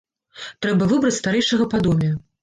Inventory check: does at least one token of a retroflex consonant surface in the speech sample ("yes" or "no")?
yes